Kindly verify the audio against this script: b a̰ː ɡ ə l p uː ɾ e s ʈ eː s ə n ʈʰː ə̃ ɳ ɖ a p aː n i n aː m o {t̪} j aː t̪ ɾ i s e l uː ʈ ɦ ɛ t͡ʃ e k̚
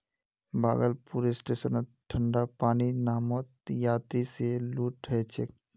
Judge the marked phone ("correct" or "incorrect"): correct